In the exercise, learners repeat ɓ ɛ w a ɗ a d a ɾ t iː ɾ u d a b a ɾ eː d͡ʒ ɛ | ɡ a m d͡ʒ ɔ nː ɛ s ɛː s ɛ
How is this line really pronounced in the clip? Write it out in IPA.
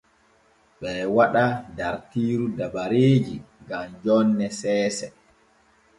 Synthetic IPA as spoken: ɓ ɛ w a ɗ a d a ɾ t iː ɾ u d a b a ɾ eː d͡ʒ i | ɡ a m d͡ʒ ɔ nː ɛ s ɛː s ɛ